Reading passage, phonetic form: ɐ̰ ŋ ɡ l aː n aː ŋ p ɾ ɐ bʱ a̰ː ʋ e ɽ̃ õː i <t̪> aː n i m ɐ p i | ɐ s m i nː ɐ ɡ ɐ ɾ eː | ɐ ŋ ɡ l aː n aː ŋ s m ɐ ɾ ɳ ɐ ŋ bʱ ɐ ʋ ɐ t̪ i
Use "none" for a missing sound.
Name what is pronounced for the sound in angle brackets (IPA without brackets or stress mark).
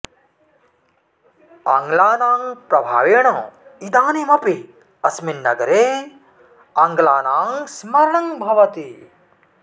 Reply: d̪